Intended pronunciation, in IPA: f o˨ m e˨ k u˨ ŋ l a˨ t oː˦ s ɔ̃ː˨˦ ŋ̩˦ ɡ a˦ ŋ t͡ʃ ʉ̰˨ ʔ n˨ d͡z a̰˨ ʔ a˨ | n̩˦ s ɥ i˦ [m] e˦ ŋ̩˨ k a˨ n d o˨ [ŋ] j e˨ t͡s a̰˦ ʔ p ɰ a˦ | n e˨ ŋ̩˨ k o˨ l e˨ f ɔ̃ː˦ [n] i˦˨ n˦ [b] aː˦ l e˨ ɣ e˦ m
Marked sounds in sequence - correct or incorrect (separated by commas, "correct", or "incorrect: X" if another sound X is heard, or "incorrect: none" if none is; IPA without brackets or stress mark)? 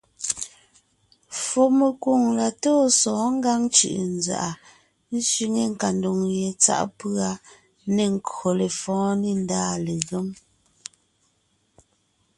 incorrect: ŋ, correct, correct, incorrect: d